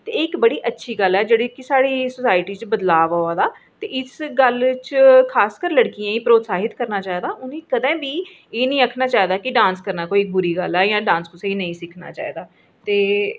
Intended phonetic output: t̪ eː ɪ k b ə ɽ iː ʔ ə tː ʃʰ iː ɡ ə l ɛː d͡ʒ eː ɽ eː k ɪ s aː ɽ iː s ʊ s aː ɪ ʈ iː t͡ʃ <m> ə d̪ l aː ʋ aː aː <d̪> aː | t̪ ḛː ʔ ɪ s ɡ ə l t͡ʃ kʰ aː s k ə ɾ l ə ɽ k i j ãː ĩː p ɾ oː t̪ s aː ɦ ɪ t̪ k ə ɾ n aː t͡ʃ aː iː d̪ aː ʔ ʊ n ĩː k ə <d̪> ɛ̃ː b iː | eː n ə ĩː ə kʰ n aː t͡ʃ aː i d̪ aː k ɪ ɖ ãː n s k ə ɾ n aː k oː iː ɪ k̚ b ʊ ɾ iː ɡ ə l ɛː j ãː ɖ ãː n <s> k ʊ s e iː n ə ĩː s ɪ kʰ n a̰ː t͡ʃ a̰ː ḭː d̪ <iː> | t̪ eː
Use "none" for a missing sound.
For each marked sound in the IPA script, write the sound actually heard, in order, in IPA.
b, d̪, d̪, s, aː

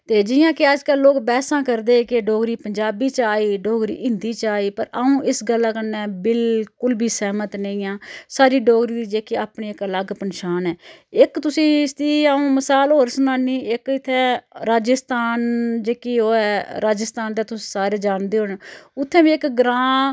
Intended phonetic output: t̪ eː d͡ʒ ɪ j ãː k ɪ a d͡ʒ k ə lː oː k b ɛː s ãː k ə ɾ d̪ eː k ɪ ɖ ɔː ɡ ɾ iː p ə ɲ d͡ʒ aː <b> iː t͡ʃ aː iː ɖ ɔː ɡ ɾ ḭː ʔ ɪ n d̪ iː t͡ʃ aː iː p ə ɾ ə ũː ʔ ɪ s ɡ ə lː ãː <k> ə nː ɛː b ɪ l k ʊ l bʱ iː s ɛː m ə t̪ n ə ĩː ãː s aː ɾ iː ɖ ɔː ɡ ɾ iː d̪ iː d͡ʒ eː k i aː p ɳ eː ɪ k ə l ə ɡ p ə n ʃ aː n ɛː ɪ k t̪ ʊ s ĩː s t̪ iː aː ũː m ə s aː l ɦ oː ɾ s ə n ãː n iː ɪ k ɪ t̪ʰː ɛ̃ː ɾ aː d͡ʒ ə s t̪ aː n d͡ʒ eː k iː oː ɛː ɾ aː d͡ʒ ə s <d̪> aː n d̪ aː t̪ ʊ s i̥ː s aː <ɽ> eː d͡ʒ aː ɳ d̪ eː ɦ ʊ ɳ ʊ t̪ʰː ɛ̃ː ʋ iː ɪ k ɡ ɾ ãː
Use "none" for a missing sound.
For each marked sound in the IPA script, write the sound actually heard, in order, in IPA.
b, k, t̪, ɾ

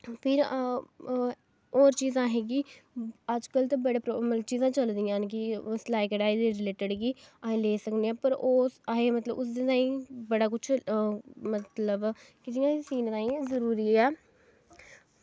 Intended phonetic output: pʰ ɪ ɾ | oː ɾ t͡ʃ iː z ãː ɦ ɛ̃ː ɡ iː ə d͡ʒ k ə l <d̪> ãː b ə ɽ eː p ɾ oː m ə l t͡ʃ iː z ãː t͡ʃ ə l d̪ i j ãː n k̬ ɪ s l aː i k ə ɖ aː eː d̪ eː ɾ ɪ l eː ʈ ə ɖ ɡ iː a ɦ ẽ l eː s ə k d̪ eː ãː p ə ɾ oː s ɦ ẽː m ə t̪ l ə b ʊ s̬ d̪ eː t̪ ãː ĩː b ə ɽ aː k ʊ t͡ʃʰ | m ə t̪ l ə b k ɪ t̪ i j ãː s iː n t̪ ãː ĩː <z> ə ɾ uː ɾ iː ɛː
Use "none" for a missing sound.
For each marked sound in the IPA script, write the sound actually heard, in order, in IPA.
t̪, z

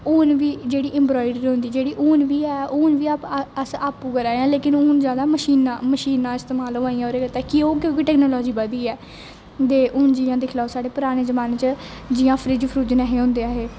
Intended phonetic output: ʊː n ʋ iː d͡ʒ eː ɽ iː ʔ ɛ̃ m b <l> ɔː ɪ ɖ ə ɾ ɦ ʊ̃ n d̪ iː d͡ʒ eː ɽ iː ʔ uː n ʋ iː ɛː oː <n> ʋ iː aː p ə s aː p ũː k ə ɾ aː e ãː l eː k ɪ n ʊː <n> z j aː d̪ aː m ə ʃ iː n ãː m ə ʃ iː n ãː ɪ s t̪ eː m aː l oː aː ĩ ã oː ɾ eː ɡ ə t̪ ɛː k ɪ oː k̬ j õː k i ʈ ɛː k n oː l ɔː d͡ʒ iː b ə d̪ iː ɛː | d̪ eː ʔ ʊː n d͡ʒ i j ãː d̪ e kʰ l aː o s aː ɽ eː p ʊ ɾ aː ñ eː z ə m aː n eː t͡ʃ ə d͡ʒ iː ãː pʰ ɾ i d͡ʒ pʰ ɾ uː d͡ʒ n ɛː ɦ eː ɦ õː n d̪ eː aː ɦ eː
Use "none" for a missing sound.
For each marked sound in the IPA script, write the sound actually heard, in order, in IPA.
ɾ, n, n

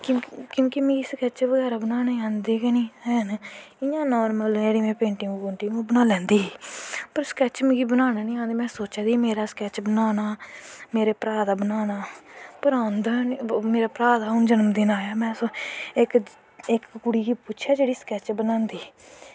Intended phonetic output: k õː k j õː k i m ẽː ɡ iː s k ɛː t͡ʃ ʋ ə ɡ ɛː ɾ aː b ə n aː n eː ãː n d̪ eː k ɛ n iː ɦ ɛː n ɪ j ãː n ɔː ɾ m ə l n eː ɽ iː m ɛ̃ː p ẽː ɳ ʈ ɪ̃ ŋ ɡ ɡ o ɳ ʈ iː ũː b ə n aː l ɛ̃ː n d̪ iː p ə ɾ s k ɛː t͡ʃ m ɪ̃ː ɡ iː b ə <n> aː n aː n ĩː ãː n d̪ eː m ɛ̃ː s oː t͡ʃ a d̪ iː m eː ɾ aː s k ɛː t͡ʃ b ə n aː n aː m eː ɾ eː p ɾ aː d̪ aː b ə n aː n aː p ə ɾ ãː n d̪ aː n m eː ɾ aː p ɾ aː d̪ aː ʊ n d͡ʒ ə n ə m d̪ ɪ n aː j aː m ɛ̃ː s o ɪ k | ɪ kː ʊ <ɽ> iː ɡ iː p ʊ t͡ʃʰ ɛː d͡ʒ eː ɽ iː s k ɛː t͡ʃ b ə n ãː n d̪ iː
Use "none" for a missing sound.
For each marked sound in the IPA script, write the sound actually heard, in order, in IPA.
n, ɽ

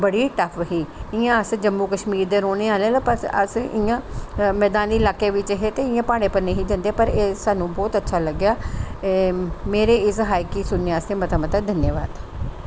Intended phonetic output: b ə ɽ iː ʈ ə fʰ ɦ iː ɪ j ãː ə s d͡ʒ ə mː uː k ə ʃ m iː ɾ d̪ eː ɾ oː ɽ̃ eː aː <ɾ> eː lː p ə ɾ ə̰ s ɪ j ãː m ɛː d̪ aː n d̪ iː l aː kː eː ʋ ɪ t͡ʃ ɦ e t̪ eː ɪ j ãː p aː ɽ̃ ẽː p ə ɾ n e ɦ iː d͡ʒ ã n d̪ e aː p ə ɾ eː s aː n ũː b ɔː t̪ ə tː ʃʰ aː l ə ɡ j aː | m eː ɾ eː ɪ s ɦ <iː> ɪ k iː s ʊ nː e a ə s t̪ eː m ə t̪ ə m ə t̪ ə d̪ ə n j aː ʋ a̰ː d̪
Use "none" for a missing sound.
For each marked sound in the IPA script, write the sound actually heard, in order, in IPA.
l, aː

